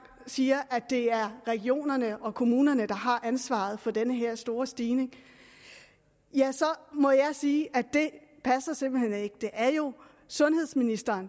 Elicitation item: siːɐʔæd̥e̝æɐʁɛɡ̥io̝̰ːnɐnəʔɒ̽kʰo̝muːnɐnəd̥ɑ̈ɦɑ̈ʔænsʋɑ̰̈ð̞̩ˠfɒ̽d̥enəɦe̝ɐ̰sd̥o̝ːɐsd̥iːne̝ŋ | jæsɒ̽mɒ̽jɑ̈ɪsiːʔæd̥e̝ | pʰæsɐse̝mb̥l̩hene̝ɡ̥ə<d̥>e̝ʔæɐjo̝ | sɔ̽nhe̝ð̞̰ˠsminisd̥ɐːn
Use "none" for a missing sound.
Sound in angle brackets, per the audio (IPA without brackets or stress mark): d̥